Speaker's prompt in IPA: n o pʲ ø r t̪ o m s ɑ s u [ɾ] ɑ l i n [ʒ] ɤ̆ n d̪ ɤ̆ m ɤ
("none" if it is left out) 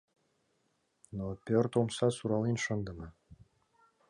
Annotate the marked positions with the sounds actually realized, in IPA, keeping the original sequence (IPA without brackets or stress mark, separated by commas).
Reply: ɾ, ʃ